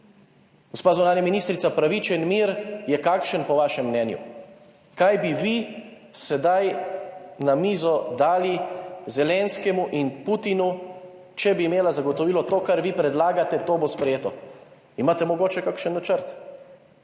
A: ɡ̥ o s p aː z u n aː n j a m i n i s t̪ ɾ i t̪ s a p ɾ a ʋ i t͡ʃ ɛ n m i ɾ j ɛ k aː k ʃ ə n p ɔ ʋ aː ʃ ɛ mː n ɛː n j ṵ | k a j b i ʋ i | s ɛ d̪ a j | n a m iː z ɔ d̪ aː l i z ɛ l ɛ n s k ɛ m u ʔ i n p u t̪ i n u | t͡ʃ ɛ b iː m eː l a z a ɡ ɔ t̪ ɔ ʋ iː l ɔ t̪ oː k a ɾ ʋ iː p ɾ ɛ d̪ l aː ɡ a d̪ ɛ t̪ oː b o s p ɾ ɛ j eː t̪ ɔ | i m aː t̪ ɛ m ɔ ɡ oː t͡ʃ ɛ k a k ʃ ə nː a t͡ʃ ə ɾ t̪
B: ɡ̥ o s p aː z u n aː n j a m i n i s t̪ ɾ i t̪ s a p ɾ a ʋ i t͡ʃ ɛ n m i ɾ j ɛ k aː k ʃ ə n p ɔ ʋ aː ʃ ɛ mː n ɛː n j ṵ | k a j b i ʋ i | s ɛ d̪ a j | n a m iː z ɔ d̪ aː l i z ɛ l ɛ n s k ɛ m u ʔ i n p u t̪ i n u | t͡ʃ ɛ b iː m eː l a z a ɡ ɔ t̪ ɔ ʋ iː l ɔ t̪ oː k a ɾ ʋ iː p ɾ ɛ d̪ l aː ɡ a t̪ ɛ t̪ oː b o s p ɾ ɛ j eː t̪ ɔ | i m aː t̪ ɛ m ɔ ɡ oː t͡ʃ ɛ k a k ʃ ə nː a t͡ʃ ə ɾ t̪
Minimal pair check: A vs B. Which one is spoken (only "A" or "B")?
B